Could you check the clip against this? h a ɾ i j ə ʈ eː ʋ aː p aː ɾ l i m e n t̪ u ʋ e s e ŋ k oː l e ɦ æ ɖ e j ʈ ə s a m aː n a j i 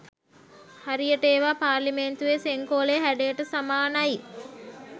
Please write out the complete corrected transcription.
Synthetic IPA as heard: h a ɾ i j ə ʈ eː ʋ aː p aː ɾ l i m e n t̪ u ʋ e s e ŋ k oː l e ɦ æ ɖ e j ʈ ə s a m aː n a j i